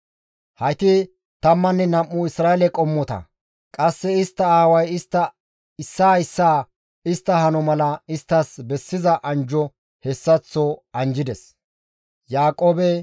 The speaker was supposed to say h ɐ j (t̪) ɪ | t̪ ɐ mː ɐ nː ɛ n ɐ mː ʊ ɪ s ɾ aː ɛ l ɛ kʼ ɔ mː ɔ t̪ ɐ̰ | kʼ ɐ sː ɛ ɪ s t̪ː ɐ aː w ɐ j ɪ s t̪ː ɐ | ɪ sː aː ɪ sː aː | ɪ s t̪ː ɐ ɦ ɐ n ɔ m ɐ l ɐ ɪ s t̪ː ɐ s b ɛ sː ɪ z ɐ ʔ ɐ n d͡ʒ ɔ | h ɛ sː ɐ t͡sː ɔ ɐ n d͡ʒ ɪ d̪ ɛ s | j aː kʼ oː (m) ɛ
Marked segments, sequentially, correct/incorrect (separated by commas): correct, incorrect